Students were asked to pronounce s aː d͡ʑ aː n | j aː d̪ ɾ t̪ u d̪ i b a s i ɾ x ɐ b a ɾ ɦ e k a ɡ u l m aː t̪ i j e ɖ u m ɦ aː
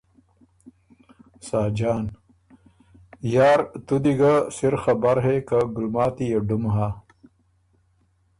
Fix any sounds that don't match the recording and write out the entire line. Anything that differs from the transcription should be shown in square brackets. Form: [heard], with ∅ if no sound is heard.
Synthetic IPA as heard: s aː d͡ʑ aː n | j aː [∅] ɾ t̪ u d̪ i [ɡ] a s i ɾ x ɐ b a ɾ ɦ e k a ɡ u l m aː t̪ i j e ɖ u m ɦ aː